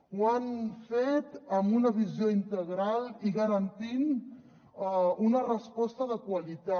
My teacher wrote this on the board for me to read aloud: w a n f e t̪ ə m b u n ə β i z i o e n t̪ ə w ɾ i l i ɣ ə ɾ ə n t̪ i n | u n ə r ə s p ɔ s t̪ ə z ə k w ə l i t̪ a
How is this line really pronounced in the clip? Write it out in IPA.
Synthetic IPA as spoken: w a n f e t̪ ə m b u n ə β i z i o i n t̪ ə ɣ ɾ a l i ɣ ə ɾ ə n t̪ i n | u n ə r ə s p ɔ s t̪ ə ð ə k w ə l i t̪ a